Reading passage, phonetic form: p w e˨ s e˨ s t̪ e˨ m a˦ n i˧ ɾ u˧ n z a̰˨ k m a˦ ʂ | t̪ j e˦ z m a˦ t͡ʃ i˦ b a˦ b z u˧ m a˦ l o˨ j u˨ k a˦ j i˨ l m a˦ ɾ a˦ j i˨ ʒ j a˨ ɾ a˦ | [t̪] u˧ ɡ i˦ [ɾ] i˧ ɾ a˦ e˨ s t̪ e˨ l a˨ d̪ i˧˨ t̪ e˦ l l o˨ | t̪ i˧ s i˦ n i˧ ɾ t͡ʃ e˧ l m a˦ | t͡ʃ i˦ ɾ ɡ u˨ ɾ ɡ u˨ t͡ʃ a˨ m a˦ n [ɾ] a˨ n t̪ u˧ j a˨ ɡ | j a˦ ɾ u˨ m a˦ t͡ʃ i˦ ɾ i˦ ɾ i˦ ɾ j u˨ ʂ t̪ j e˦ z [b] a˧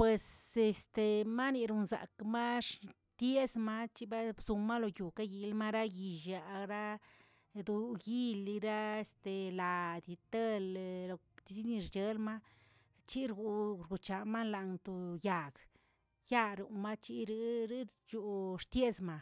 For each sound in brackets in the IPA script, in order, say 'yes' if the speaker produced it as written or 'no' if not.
no, no, no, no

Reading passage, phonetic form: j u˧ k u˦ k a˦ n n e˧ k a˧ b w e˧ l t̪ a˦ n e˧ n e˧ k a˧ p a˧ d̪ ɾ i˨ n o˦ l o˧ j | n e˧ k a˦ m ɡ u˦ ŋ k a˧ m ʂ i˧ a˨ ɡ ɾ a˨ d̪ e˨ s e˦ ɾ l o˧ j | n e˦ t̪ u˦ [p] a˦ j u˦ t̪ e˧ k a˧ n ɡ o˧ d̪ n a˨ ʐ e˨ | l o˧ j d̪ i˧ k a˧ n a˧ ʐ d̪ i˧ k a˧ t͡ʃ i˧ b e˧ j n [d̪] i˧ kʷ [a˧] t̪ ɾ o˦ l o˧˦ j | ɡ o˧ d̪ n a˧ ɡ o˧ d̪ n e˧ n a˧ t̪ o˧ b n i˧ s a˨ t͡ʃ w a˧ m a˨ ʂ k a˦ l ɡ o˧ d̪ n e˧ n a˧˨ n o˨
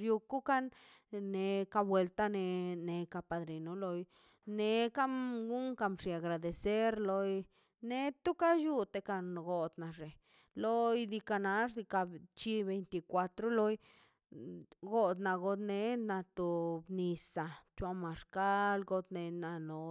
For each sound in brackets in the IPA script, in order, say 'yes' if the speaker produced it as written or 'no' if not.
no, no, yes

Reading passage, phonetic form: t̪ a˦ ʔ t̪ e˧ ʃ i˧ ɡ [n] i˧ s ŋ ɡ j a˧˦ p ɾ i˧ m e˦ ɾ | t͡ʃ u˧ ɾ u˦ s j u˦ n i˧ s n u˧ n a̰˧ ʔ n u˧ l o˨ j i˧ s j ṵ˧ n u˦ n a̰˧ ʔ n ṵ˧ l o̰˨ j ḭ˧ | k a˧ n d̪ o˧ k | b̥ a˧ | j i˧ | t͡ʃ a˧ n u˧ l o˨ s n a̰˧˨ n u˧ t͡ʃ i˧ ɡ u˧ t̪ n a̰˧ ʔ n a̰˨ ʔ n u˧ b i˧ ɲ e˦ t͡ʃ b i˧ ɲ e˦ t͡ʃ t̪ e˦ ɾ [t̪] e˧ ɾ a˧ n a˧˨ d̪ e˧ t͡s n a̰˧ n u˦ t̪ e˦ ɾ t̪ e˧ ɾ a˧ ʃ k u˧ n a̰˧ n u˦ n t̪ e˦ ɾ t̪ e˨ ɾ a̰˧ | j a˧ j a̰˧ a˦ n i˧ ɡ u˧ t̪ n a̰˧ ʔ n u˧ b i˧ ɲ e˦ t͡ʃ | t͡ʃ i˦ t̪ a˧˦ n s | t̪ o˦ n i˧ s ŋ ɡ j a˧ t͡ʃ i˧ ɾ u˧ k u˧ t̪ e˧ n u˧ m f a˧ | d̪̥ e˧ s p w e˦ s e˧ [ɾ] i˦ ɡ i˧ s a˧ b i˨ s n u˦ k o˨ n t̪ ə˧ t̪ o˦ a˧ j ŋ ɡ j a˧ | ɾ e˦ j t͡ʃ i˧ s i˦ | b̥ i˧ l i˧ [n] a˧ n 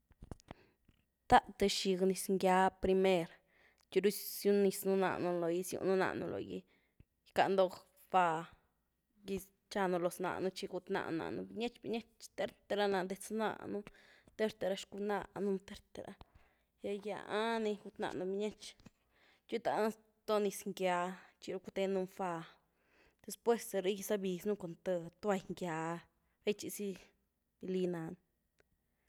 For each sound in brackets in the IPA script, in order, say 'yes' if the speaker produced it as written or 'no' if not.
yes, yes, yes, yes

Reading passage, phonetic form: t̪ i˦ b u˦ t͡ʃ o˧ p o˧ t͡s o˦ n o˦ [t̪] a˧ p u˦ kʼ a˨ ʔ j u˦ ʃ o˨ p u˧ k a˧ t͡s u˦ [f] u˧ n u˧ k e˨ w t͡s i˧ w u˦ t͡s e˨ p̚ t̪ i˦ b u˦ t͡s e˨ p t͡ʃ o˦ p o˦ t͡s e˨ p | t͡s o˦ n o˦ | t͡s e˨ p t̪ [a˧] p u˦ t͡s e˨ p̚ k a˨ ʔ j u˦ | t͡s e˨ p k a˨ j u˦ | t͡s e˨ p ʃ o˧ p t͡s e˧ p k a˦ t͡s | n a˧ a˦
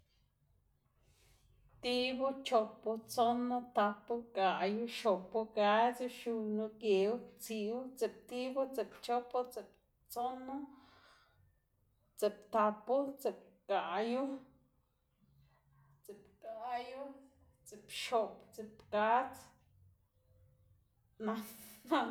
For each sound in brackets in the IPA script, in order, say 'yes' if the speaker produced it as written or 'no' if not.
yes, no, yes

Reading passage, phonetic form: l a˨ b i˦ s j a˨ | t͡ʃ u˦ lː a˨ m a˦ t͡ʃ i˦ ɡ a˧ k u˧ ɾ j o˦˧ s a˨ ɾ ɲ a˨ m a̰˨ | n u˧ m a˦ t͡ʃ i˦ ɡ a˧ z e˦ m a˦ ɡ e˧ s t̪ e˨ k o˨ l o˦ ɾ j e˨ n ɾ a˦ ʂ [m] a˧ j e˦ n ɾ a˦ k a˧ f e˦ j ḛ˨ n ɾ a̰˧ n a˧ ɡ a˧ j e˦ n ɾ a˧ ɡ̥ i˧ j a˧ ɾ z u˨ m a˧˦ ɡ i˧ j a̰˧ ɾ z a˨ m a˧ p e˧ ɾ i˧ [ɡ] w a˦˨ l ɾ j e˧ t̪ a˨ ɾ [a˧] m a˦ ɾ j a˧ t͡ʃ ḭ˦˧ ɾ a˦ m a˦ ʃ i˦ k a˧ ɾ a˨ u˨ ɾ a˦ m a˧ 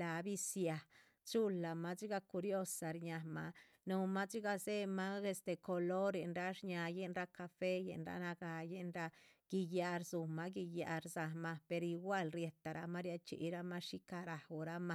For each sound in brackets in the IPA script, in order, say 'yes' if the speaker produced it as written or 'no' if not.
no, yes, yes

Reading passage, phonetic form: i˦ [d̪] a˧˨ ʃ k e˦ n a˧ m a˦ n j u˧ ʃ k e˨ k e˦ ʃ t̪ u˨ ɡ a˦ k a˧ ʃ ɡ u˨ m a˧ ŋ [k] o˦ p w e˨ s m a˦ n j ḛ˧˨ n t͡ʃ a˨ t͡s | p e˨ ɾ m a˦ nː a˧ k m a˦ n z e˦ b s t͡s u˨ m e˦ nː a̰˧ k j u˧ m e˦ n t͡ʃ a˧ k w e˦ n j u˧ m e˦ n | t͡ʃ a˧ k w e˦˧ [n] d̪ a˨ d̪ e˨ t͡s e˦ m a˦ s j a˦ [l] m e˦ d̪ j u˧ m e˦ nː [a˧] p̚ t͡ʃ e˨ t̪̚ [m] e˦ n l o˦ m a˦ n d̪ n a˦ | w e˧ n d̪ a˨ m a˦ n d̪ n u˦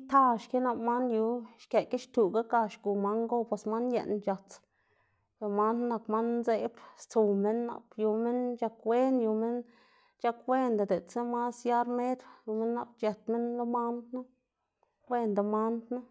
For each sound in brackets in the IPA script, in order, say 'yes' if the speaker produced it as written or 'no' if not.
no, no, yes, no, yes, yes

